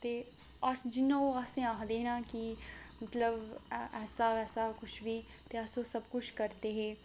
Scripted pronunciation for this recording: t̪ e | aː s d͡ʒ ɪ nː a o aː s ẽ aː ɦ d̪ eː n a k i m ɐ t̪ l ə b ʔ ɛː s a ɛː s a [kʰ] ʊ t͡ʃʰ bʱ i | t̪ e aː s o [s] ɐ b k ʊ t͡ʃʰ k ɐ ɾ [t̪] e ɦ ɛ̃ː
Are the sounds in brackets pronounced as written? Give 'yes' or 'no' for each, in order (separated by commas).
no, yes, yes